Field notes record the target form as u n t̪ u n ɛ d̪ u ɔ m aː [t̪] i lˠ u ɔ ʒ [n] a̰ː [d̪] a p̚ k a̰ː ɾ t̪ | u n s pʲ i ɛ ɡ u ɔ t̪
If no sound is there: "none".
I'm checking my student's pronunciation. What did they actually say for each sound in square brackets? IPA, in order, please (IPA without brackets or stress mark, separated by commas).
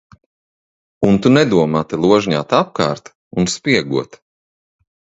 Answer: t̪, ɲ, t̪